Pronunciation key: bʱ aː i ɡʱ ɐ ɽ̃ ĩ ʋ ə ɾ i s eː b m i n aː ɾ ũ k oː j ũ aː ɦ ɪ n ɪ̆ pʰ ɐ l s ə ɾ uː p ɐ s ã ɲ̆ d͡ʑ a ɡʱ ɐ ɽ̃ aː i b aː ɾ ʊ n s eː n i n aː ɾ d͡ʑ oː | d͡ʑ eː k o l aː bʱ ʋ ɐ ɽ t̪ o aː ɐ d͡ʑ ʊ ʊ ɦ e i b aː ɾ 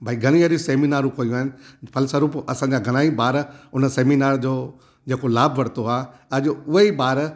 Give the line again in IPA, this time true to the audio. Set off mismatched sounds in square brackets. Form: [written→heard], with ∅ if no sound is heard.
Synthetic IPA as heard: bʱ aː i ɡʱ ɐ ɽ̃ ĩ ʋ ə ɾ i s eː [b→∅] m i n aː ɾ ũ k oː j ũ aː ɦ ɪ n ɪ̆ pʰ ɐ l s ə ɾ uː p ɐ s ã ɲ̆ d͡ʑ a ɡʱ ɐ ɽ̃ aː i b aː ɾ ʊ n s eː [n→m] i n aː ɾ d͡ʑ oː | d͡ʑ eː k o l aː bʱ ʋ ɐ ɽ t̪ o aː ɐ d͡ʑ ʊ ʊ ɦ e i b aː ɾ